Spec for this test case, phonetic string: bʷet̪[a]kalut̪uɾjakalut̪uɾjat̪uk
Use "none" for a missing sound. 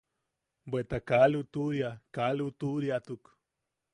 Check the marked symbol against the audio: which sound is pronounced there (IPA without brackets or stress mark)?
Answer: a